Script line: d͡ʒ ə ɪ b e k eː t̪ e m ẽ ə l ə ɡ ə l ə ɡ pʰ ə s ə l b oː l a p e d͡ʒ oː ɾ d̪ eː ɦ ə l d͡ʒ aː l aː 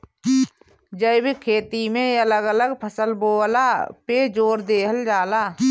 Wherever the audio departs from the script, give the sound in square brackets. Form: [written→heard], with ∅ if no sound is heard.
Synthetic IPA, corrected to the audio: d͡ʒ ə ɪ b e [k→kʰ] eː t̪ [e→i] m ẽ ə l ə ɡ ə l ə ɡ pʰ ə s ə l b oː l a p e d͡ʒ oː ɾ d̪ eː ɦ ə l d͡ʒ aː l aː